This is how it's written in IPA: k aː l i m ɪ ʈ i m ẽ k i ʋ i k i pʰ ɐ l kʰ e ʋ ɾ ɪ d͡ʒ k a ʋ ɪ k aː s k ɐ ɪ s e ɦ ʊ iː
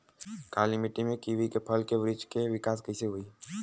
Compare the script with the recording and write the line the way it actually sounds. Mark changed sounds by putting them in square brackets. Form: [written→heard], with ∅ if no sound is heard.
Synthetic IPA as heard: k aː l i m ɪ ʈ i m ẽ k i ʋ i k [i→e] pʰ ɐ l [kʰ→k] e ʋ ɾ ɪ d͡ʒ k [a→e] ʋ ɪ k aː s k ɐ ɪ s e ɦ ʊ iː